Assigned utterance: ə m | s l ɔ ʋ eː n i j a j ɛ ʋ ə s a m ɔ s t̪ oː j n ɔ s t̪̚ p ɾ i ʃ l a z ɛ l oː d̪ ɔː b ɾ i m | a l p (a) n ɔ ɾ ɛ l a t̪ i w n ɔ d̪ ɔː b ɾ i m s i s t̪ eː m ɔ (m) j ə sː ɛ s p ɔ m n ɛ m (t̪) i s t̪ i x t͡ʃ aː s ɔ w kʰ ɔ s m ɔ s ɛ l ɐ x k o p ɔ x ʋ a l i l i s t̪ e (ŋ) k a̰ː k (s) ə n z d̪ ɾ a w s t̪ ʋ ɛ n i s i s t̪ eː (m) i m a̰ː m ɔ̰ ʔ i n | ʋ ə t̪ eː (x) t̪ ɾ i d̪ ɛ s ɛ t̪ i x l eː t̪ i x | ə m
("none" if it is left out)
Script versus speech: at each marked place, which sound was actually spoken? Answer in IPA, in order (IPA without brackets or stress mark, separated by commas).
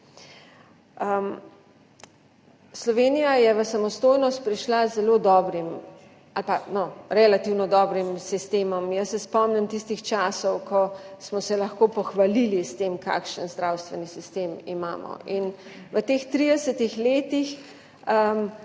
a, m, t̪, m, ʃ, m, x